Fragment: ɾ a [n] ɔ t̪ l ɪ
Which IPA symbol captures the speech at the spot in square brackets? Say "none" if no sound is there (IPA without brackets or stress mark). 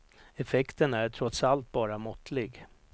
m